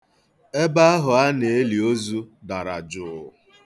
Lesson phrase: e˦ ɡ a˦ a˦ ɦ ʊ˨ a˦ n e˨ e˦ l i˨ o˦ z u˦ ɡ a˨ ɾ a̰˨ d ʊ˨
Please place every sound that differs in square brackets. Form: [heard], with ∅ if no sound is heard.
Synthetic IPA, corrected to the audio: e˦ [b] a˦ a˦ ɦ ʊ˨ a˦ n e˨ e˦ l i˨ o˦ z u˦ [d] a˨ ɾ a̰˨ [d͡ʒ] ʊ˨